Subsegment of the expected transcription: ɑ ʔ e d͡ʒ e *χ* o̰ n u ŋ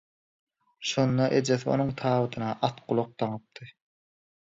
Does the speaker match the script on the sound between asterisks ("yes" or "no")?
no